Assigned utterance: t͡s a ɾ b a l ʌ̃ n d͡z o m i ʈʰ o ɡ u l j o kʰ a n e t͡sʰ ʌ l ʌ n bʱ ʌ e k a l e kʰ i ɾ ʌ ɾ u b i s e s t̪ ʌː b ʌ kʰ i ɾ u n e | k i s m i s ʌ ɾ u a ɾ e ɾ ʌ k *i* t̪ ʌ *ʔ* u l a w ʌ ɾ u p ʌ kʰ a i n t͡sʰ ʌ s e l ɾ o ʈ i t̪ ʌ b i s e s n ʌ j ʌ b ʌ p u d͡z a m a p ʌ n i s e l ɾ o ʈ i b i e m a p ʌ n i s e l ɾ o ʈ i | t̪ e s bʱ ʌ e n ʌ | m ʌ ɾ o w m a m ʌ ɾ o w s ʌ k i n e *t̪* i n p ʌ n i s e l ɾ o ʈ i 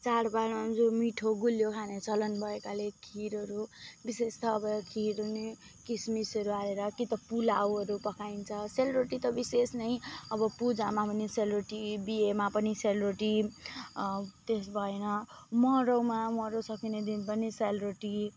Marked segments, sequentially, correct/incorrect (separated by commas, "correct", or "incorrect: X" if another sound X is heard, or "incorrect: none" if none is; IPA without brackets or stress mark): correct, incorrect: p, incorrect: d̪